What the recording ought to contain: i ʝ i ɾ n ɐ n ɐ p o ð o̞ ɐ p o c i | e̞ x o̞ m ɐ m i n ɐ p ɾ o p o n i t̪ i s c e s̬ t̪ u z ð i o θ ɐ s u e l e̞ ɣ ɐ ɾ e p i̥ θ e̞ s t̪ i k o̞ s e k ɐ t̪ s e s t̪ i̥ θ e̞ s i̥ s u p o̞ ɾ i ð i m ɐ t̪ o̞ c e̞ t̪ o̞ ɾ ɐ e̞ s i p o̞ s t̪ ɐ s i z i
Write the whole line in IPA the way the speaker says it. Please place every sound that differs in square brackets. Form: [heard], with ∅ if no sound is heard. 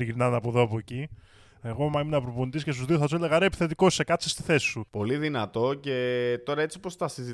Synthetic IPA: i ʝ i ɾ n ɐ n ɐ p o ð o̞ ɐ p o c i | e̞ [ɣ] o̞ m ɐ m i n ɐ p ɾ o p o n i t̪ i s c e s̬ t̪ u z ð i o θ ɐ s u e l e̞ ɣ ɐ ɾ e p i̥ θ e̞ [∅] t̪ i k o̞ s e k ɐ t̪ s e s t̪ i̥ θ e̞ s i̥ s u p o̞ [l] i ð i [n] ɐ t̪ o̞ c e̞ t̪ o̞ ɾ ɐ e̞ [t͡s] i p o̞ s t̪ ɐ s i z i